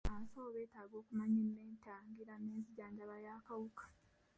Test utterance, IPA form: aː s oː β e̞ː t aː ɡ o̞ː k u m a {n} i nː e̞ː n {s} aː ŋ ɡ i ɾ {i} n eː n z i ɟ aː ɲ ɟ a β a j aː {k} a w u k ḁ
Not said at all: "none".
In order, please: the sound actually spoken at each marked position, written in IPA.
ɲ, t, a, k

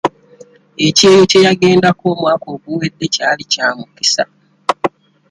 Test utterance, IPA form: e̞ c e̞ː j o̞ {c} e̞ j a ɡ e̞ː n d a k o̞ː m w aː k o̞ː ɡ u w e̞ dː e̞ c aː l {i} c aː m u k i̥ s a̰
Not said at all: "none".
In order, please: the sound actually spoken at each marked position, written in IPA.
c, i

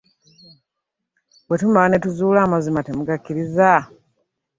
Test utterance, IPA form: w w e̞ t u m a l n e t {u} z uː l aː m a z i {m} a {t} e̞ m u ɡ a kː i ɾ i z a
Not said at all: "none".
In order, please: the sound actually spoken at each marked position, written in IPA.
u, m, t

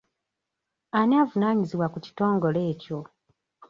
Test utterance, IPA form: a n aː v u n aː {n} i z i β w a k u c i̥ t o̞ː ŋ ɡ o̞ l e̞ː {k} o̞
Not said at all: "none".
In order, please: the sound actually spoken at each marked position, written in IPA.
ɲ, c

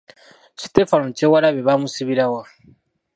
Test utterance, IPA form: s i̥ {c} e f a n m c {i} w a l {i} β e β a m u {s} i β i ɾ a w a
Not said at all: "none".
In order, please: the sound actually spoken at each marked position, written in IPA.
t, e, a, s

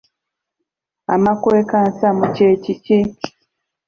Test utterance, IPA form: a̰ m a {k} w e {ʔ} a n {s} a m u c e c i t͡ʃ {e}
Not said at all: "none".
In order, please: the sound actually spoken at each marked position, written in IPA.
k, k, s, i

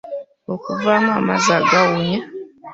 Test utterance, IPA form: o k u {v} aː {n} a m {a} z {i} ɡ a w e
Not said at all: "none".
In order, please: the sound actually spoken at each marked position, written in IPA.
v, m, a, a

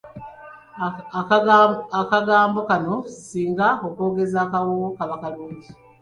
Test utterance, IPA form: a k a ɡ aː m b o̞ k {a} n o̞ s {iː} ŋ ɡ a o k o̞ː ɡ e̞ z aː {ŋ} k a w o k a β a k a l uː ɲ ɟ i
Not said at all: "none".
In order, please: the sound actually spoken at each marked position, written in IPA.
a, iː, none

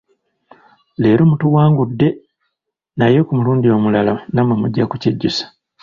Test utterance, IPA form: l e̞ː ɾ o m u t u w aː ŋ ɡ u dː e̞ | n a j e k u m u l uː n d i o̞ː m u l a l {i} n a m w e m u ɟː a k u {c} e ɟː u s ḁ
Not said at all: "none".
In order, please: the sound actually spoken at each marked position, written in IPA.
a, c

